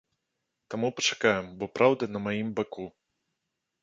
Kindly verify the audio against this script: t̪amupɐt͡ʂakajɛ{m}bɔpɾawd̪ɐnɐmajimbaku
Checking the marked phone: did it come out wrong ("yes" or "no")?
no